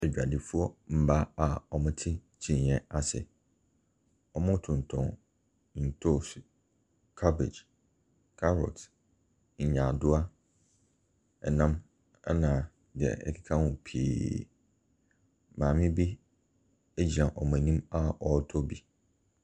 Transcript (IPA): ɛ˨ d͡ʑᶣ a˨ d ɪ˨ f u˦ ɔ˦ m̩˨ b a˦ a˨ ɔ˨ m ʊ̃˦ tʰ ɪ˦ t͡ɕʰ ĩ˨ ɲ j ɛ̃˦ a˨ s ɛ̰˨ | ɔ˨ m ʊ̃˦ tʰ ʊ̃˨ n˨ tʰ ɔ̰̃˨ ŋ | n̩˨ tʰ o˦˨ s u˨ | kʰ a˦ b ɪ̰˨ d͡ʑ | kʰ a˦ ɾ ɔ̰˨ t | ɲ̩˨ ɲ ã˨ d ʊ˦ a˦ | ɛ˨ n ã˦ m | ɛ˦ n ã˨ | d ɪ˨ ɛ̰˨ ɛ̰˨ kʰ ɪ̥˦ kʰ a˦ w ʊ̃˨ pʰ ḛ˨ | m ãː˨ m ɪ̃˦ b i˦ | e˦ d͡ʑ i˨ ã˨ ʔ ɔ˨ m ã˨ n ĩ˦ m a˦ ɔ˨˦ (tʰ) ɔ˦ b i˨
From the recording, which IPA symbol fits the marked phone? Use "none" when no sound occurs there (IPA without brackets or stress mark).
tʰ